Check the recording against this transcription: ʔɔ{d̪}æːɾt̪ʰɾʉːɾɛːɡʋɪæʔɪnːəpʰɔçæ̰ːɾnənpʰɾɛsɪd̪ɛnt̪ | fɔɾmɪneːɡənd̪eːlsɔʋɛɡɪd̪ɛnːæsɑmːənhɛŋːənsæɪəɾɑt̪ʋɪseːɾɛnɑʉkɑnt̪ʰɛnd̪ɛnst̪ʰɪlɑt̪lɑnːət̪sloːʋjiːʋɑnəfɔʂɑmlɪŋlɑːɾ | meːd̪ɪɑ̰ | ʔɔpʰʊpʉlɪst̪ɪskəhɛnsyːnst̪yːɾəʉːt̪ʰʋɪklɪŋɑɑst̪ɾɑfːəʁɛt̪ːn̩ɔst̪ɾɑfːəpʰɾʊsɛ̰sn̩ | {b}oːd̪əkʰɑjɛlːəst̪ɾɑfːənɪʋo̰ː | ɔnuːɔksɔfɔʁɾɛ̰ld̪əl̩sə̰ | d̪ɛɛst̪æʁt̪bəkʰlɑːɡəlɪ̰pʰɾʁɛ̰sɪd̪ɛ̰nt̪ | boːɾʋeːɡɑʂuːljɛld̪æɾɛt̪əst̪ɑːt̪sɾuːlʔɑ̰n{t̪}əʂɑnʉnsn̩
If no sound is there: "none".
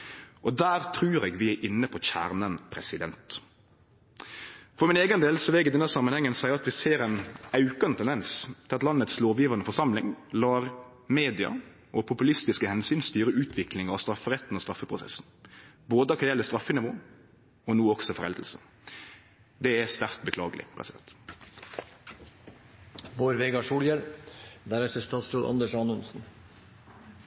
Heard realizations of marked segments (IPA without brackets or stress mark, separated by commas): d̪, b, d̪